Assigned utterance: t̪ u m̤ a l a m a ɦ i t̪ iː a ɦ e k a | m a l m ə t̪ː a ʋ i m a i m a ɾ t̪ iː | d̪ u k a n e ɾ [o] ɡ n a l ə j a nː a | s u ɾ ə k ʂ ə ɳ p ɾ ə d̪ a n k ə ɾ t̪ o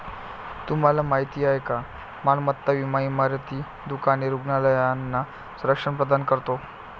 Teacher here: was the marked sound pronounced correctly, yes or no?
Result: no